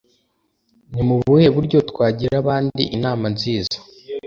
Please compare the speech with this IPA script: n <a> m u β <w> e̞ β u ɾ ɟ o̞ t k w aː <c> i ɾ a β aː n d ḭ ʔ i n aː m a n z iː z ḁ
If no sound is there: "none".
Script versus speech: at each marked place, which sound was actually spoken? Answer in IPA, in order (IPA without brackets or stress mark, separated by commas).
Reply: i, u, ɟ